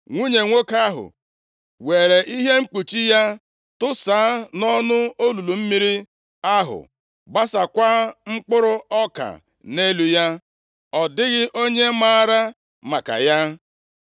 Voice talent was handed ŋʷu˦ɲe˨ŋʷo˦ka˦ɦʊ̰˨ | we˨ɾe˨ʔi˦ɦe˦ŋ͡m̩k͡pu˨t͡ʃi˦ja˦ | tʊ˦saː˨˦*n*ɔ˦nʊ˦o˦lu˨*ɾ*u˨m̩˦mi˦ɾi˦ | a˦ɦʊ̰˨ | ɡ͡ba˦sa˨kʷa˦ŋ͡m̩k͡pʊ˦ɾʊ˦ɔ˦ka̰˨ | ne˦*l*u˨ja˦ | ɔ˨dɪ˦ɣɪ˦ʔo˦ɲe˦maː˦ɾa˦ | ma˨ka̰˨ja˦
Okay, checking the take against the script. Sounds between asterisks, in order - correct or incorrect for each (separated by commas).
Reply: correct, incorrect, correct